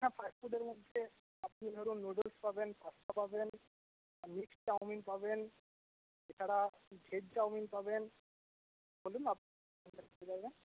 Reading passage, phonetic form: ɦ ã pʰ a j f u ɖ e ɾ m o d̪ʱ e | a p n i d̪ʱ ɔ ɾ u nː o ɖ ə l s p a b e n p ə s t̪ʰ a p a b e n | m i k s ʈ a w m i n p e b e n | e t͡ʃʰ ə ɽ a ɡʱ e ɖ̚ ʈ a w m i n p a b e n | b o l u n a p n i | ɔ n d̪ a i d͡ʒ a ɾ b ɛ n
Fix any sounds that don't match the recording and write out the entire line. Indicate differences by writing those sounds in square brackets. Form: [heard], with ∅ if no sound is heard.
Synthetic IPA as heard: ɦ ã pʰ a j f u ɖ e ɾ m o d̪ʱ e | a p n i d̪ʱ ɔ ɾ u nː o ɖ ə l s p a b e n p [a] s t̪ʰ a p a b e n | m i k s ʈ a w m i n p [a] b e n | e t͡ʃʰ [a] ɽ a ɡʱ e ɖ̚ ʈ a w m i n p a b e n | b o l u n a p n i | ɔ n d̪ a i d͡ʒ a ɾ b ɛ n